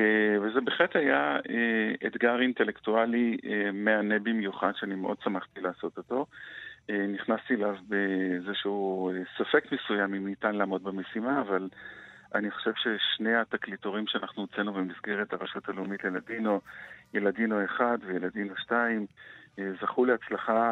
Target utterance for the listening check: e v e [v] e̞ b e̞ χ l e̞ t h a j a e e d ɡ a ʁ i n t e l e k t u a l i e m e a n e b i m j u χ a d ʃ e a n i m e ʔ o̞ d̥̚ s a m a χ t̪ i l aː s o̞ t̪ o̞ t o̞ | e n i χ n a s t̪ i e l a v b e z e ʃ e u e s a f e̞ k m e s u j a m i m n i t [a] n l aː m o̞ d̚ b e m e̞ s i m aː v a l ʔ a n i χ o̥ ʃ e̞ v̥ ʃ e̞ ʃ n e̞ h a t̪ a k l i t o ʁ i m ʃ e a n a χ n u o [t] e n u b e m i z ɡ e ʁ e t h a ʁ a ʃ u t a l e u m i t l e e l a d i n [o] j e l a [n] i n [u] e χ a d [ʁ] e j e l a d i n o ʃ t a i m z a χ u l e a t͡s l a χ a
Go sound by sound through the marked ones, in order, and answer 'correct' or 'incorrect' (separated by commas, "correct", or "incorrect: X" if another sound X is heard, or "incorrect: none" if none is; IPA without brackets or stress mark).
incorrect: z, correct, incorrect: t͡s, correct, incorrect: d, incorrect: o, incorrect: v